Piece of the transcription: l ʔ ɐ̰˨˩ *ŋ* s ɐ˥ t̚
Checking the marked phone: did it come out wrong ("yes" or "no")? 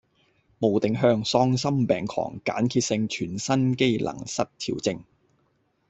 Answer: no